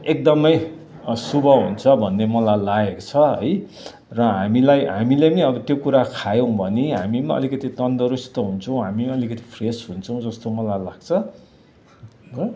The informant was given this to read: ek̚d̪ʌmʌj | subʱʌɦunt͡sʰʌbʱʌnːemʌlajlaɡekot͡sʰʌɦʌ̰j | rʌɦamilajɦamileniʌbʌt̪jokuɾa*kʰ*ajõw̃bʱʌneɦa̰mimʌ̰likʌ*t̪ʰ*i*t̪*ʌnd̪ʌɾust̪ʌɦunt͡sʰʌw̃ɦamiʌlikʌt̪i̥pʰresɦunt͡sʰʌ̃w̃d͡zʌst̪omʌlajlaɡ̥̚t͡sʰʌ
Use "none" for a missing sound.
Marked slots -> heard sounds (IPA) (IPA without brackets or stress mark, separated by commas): kʰ, t̪, t̪